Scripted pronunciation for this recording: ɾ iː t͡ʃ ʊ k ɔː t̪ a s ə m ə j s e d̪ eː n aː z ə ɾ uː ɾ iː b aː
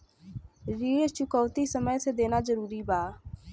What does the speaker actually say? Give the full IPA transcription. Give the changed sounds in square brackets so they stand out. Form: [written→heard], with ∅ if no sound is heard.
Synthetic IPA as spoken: ɾ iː t͡ʃ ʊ k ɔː t̪ [a→i] s ə m ə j s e d̪ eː n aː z ə ɾ uː ɾ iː b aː